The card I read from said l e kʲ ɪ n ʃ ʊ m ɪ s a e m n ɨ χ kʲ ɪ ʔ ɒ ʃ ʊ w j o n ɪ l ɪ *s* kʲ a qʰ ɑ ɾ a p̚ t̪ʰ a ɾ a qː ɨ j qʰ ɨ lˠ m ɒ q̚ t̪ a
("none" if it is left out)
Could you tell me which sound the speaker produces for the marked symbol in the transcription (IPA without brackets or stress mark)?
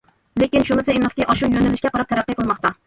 ʃ